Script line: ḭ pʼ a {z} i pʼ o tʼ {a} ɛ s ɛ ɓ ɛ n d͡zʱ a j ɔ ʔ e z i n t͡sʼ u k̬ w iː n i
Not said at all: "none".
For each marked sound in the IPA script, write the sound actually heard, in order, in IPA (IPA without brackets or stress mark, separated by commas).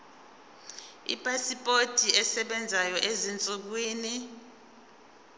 s, i